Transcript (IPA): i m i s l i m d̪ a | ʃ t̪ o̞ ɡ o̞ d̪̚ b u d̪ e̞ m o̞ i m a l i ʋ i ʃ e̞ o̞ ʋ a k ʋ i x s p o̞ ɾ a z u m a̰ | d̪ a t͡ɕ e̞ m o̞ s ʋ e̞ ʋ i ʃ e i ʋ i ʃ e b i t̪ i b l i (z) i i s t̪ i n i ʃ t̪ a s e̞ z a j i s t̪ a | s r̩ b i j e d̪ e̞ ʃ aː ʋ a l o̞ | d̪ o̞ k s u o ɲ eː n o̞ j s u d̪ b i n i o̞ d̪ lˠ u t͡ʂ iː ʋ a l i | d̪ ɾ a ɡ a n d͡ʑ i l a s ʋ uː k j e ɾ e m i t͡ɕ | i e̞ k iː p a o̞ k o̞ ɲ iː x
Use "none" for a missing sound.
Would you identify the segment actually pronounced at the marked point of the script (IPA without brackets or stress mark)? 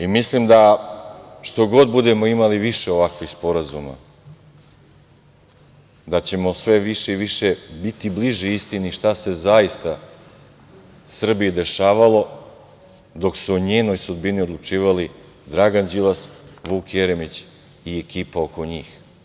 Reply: ʒ